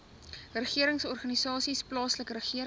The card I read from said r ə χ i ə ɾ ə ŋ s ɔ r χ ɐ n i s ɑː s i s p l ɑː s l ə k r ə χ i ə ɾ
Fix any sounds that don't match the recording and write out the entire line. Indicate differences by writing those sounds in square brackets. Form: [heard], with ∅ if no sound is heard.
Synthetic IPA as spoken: r ə χ i ə ɾ ə ŋ s ɔ r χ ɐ n i s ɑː s i s p l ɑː s l ə k r ə χ i ə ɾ